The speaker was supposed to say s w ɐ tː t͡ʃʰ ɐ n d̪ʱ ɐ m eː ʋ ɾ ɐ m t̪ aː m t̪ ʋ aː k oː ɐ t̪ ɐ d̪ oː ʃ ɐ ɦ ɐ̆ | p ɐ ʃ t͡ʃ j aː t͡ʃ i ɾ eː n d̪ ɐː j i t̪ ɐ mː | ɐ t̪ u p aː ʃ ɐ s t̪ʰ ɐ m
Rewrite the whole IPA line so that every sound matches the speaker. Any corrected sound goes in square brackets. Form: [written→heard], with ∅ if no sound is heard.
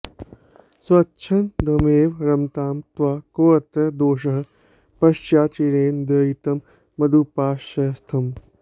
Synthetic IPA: s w ɐ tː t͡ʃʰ ɐ n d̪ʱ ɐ m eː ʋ ɾ ɐ m t̪ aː m t̪ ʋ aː k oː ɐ t̪ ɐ d̪ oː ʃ ɐ ɦ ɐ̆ | p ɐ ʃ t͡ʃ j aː t͡ʃ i ɾ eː n d̪ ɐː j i t̪ ɐ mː | ɐ [t̪→d̪] u p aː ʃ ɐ s t̪ʰ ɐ m